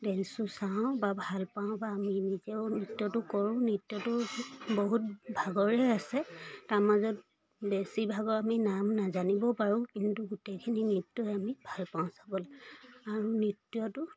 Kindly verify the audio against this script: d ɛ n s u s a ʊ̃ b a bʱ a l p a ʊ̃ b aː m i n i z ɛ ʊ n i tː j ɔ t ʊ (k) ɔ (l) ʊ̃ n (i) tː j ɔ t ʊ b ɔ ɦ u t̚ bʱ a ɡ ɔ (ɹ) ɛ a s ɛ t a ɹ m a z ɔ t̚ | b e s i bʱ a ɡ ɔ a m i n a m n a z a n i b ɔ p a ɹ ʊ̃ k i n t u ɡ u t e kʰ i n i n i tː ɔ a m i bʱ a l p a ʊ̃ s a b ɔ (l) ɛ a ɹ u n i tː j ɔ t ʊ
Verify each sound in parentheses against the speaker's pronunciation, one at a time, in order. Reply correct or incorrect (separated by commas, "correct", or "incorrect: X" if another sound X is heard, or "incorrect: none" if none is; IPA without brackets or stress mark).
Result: correct, incorrect: ɹ, correct, correct, correct